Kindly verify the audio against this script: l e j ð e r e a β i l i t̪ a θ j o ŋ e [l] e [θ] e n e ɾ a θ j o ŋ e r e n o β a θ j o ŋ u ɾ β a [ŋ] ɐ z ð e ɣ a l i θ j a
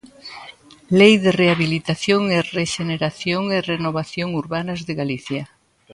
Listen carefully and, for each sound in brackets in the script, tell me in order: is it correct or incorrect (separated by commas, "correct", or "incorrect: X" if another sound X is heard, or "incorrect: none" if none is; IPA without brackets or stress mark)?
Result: incorrect: r, incorrect: ʃ, incorrect: n